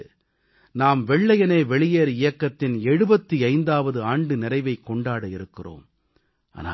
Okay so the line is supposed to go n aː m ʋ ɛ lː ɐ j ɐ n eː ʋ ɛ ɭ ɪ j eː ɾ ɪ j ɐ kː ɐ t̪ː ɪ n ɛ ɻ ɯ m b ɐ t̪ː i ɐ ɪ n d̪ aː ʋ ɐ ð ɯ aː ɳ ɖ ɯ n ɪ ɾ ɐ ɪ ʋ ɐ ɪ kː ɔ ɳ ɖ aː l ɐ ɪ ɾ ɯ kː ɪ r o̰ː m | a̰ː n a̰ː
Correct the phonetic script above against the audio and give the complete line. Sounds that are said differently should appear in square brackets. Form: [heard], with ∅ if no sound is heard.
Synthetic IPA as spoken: n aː m ʋ ɛ [ɭː] ɐ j ɐ n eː ʋ ɛ ɭ ɪ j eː ɾ ɪ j ɐ kː ɐ t̪ː ɪ n ɛ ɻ ɯ [∅] b ɐ t̪ː i ɐ ɪ n d̪ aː ʋ ɐ ð ɯ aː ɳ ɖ ɯ n ɪ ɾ ɐ ɪ ʋ ɐ ɪ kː ɔ ɳ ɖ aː [ɽ] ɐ ɪ ɾ ɯ kː ɪ r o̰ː m | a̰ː n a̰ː